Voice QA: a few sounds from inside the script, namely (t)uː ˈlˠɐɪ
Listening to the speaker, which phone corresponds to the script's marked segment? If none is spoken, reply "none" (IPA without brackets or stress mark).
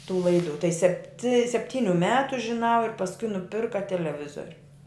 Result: t